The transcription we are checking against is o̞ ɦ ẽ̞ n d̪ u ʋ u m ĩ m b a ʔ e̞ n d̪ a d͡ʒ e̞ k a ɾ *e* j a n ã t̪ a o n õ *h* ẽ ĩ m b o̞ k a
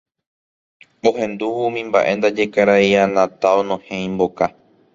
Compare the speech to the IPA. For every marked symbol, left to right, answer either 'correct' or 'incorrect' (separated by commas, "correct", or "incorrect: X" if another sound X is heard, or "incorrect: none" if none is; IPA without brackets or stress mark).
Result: incorrect: a, correct